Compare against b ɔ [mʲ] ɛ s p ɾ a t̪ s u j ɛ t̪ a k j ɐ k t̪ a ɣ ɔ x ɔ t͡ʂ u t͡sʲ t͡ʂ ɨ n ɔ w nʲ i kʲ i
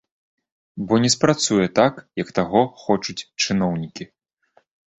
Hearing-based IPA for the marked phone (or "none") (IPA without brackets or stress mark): nʲ